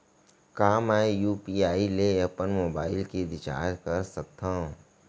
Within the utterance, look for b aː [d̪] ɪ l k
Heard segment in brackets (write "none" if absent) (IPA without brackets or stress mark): none